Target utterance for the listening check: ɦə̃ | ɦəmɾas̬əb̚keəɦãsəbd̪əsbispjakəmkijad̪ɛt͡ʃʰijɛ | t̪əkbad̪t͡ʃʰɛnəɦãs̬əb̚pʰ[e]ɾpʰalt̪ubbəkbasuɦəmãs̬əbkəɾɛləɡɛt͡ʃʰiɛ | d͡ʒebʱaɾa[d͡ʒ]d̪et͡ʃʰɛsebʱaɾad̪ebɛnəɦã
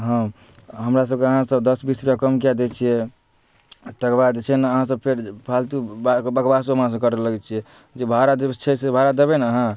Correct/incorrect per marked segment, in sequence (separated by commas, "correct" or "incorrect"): correct, incorrect